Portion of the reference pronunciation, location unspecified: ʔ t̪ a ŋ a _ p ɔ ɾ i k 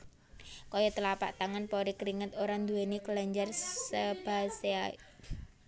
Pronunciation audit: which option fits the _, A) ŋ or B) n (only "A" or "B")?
B